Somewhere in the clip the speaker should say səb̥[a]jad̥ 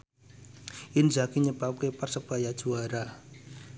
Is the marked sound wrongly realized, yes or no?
no